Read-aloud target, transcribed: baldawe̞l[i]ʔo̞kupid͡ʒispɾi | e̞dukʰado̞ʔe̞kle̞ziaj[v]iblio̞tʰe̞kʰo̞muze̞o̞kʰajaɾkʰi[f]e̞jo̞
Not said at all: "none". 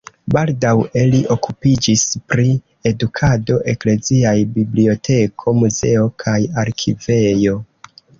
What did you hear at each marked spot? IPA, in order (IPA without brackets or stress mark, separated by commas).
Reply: i, b, v